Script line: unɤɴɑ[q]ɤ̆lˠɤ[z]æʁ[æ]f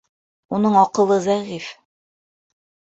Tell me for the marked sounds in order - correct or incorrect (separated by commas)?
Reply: correct, correct, incorrect